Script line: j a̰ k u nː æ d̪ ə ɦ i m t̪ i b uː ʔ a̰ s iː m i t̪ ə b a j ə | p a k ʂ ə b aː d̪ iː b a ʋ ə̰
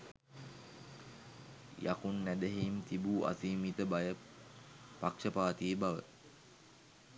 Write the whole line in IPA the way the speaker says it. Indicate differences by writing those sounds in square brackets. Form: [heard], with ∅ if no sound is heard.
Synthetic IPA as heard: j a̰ k u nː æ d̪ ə ɦ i m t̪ i b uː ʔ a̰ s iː m i t̪ ə b a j ə | p a k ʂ ə [p] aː [t̪] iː b a ʋ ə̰